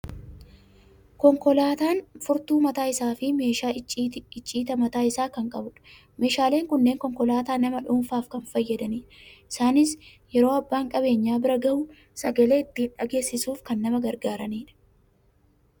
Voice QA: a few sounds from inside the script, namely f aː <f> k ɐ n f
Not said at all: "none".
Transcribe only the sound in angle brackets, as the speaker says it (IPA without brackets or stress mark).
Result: f